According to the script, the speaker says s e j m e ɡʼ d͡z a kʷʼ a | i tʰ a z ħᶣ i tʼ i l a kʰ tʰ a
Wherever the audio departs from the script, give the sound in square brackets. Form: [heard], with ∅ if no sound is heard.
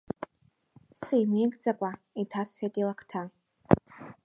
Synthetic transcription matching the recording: s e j m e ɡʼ d͡z a kʷʼ a | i tʰ a [s] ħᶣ [a] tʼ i l a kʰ tʰ a